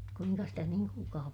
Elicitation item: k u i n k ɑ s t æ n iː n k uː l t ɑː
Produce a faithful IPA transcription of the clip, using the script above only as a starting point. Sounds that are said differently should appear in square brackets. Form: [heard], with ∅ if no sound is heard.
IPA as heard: k u i [ŋ] k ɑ s t æ n iː [ŋ] k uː l [k] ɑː